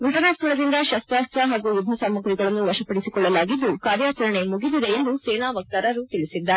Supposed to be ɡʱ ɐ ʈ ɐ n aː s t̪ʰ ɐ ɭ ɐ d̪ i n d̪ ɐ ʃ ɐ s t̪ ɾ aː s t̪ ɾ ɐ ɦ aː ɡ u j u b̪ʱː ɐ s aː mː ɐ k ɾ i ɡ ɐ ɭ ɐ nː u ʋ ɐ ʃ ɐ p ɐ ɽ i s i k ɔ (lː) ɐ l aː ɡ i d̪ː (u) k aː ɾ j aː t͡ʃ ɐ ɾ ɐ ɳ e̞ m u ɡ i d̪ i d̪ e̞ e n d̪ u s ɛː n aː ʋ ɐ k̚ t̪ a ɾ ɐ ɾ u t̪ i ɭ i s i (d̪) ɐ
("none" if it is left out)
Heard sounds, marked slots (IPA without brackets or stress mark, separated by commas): ɭː, u, d̪ː